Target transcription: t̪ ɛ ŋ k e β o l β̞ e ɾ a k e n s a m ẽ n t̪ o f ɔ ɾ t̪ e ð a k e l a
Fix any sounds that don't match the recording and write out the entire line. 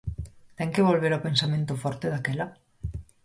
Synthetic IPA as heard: t̪ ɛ ŋ k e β o l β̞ e ɾ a p e n s a m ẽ n t̪ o f ɔ ɾ t̪ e ð a k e l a